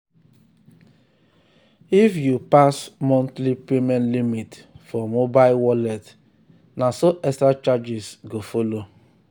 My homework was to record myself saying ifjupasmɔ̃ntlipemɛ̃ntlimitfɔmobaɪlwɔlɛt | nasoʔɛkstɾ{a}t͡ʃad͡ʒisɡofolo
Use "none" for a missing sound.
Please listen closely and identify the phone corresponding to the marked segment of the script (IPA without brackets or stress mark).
a